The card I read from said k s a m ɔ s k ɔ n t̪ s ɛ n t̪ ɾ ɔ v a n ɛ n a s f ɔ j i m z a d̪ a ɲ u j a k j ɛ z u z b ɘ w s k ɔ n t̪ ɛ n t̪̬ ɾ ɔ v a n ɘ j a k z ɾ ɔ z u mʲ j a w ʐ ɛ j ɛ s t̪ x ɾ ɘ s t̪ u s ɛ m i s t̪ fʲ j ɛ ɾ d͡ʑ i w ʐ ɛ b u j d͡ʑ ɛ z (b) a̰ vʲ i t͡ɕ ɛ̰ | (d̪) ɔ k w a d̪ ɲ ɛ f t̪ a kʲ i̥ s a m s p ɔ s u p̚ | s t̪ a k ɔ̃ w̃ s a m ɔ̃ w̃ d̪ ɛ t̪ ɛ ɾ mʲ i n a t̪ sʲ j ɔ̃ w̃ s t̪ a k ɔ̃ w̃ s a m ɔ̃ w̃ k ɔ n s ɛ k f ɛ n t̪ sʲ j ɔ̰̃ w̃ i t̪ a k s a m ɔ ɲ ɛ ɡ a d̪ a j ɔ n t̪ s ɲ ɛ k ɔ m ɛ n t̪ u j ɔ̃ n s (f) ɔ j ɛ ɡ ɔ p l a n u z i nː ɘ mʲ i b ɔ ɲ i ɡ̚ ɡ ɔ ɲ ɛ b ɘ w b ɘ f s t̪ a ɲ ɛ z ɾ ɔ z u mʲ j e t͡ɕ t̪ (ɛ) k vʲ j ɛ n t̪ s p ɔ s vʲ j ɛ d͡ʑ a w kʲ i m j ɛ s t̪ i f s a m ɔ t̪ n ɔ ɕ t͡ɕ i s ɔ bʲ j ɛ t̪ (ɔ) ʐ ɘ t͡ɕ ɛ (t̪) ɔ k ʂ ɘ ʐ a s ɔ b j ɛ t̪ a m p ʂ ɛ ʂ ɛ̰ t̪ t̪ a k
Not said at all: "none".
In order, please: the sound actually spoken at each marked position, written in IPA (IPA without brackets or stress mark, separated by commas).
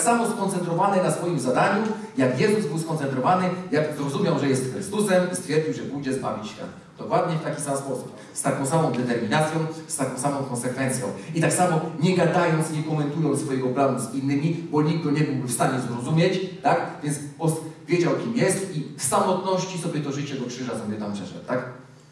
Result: b, d̪, f, a, ɔ, d̪